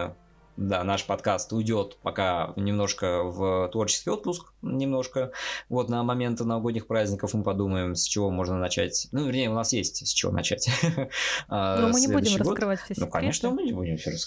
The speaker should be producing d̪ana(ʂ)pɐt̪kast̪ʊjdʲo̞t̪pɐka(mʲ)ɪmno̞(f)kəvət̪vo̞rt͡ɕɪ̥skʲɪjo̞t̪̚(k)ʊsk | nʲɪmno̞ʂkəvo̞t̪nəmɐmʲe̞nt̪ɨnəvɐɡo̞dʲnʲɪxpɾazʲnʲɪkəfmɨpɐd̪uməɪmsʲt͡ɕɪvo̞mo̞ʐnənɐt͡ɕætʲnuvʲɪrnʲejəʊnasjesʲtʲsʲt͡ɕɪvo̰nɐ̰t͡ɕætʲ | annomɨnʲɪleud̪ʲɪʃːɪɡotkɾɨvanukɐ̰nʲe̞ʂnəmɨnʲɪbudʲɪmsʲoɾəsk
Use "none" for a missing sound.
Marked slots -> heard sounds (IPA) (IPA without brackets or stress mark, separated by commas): ʂ, nʲ, ʂ, p